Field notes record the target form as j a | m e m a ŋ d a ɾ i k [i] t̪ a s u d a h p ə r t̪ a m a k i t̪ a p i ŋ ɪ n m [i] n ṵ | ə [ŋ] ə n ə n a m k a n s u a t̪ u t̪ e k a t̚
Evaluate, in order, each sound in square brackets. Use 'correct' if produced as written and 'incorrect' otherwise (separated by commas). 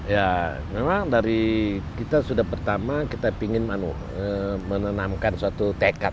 correct, incorrect, incorrect